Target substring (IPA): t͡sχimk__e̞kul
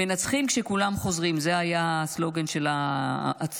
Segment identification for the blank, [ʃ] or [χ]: ʃ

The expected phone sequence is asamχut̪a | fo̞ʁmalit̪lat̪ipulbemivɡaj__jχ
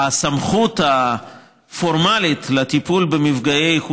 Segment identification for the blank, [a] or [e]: e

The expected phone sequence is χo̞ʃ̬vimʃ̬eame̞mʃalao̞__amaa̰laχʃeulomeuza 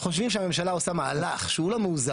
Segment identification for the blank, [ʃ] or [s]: s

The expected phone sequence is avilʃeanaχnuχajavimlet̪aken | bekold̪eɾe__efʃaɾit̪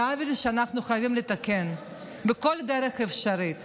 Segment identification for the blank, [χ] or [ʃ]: χ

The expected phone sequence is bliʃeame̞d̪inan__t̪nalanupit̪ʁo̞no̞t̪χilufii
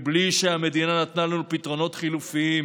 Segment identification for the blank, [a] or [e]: a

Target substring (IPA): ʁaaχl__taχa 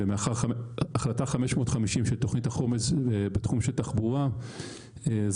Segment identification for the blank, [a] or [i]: a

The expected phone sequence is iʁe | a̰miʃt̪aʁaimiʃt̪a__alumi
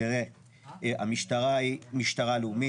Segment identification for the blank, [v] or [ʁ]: ʁ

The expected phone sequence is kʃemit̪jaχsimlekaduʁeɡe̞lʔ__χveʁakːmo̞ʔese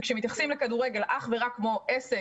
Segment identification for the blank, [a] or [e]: a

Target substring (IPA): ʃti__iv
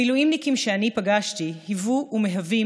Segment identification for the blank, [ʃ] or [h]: h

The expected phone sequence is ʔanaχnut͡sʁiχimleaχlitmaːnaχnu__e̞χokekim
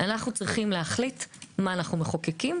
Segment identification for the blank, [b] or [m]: m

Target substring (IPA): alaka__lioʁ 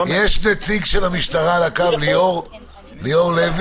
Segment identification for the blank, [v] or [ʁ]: v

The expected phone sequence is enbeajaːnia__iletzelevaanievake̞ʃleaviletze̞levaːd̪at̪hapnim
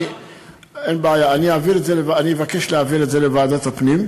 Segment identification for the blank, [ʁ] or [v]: v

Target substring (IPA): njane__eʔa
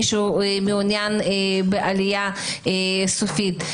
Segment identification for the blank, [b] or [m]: b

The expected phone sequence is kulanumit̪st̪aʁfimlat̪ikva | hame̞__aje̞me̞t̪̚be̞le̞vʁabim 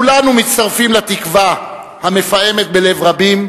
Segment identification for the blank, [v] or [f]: f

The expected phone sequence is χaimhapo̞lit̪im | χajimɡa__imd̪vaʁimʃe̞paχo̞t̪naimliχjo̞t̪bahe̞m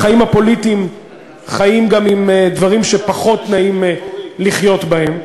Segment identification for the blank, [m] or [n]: m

